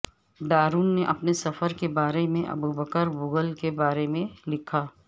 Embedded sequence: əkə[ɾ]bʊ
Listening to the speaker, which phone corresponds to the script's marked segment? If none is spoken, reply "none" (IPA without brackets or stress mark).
ɾ